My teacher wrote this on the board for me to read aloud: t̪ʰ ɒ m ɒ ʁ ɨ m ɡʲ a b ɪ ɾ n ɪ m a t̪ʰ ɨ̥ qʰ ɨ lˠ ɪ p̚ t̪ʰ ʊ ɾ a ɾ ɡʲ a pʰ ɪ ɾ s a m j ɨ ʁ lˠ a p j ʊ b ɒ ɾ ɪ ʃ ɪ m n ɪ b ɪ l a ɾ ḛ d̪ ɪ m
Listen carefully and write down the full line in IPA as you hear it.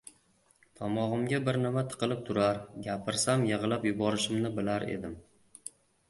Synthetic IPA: t̪ʰ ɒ m ɒ ʁ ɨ m ɡʲ a b ɪ ɾ n ɪ m a t̪ʰ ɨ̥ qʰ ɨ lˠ ɪ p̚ t̪ʰ ʊ ɾ a ɾ ɡʲ a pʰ ɪ ɾ s a m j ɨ ʁ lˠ a p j ʊ b ɒ ɾ ɪ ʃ ɪ m n ɪ b ɪ l a ɾ ḛ d̪ ɪ m